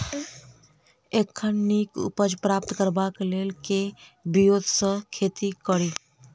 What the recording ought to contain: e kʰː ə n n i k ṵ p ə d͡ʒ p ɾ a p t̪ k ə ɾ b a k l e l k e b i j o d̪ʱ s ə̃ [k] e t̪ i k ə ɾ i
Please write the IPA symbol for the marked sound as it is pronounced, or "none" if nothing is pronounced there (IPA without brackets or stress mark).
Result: kʰ